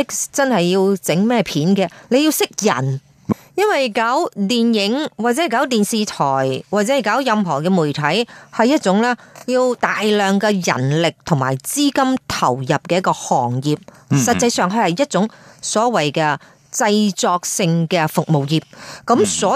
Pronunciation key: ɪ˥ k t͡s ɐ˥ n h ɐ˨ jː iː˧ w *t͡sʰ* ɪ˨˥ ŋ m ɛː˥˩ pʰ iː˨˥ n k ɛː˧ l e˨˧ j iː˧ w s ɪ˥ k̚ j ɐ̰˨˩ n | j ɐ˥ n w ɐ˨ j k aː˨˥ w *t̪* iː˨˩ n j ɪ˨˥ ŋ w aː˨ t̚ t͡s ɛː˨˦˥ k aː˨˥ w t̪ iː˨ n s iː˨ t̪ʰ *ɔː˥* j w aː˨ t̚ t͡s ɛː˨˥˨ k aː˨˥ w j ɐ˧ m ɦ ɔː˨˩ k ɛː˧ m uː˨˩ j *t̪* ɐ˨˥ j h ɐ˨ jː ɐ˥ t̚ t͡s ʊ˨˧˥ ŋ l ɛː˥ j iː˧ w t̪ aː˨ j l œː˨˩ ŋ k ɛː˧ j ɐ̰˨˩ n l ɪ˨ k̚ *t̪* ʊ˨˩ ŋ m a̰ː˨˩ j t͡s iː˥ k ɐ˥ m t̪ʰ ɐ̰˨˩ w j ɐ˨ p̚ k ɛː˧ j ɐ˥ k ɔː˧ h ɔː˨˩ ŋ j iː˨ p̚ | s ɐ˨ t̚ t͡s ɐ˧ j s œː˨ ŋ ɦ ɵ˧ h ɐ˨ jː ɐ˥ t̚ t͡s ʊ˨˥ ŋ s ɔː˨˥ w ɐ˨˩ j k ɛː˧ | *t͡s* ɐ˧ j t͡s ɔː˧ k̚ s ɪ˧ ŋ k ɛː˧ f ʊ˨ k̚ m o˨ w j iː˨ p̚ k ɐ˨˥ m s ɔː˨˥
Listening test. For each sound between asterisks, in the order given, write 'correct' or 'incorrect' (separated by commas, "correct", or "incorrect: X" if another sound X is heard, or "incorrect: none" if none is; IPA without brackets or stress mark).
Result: incorrect: t͡s, correct, incorrect: ɔː˨˩, incorrect: t̪ʰ, incorrect: t̪ʰ, correct